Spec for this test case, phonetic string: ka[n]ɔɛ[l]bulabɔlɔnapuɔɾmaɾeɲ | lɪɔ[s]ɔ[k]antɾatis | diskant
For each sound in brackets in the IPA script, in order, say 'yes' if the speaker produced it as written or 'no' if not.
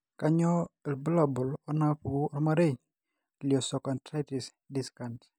no, yes, yes, yes

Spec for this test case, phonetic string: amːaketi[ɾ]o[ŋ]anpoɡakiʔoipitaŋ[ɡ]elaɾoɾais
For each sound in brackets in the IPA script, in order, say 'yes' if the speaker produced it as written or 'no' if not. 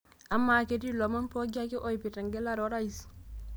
no, no, yes

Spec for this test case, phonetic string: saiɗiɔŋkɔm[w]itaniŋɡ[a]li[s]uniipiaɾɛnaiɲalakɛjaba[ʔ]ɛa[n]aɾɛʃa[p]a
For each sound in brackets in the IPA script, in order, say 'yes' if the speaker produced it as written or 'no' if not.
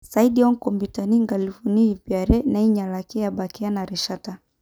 no, yes, no, no, yes, no

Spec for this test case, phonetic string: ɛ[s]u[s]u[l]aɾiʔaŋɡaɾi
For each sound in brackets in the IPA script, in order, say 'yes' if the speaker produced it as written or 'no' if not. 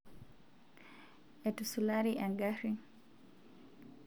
no, yes, yes

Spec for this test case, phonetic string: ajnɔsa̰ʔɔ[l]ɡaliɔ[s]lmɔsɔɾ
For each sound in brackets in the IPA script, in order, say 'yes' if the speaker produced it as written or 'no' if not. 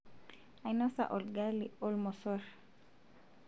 yes, no

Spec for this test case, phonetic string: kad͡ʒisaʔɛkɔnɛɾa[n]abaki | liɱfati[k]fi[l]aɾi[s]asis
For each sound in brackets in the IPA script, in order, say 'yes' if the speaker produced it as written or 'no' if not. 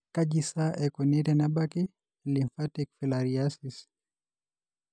yes, yes, yes, no

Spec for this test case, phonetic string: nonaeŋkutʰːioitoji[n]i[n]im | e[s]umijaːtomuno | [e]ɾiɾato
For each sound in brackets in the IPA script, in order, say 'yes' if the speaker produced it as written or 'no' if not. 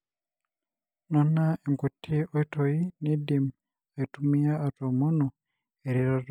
yes, no, no, yes

